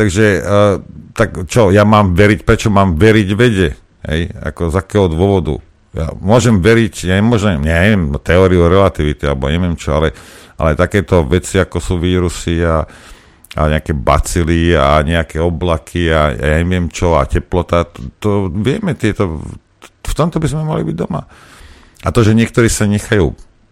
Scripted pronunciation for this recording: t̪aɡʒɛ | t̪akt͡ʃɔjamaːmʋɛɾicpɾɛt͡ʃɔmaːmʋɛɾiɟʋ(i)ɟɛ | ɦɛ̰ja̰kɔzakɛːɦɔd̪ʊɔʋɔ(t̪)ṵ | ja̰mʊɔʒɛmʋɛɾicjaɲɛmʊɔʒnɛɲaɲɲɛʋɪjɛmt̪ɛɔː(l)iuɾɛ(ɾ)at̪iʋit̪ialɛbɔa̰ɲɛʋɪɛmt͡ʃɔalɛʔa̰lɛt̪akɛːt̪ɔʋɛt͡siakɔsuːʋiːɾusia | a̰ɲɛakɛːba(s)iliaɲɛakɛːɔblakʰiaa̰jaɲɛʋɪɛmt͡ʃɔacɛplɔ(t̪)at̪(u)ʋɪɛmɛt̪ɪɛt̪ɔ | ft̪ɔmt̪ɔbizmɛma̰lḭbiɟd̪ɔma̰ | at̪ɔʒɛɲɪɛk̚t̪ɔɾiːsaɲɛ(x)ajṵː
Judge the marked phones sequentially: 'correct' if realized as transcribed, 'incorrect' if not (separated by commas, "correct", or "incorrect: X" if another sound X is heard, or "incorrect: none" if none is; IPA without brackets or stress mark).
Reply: incorrect: ɛ, incorrect: d̪, incorrect: ɾ, incorrect: l, incorrect: t͡s, correct, incorrect: ɔ, correct